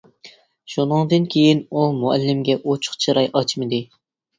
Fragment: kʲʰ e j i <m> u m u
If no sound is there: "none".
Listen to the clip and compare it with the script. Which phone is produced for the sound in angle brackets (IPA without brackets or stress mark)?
n